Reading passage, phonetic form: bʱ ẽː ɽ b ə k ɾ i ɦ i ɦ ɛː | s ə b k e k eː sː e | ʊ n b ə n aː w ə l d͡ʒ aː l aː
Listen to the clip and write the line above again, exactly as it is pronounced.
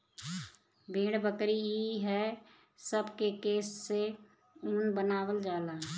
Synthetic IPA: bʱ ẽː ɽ b ə k ɾ i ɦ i ɦ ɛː | s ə b k e k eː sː e | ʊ n b ə n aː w ə l d͡ʒ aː l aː